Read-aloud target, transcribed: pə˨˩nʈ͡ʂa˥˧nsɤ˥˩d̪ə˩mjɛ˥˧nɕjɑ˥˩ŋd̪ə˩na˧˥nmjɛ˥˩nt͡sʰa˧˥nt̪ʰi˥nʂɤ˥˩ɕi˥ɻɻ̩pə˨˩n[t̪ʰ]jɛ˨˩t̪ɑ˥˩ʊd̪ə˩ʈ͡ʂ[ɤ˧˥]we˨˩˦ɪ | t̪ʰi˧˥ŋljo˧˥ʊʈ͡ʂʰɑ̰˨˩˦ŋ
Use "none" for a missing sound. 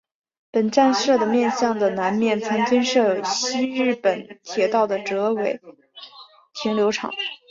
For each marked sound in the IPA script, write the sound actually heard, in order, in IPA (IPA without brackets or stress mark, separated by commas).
t̪ʰ, ɤ˧˥